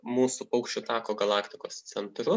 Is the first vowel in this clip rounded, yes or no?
yes